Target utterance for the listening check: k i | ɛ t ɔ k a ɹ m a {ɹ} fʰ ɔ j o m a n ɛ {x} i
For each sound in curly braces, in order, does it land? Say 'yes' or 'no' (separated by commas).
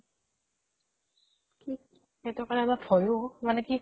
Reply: no, no